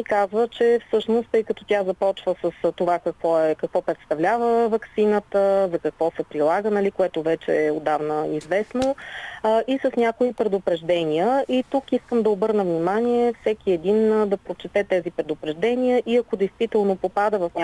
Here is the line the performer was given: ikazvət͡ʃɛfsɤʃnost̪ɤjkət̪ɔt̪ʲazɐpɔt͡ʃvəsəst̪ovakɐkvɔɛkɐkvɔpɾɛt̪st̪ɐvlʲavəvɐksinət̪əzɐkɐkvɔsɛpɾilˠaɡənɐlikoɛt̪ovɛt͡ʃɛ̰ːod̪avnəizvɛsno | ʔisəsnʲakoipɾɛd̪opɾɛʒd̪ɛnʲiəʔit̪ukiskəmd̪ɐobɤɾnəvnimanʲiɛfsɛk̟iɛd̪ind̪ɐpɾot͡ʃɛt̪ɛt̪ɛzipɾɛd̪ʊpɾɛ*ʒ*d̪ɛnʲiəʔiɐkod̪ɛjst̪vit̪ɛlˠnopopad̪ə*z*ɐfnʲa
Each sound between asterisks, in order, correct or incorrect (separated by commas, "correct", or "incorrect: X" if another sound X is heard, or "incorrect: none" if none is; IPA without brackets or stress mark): correct, incorrect: v